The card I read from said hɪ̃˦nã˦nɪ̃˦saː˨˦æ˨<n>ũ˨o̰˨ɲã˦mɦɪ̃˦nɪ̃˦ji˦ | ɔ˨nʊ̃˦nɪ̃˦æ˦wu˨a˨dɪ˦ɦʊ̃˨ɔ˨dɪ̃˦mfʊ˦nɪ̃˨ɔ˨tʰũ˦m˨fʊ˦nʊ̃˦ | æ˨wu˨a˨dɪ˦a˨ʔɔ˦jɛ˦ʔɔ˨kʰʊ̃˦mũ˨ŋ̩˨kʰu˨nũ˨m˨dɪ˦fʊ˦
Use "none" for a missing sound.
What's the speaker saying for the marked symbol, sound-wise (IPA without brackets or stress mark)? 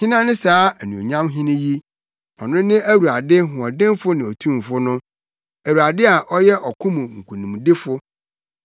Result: n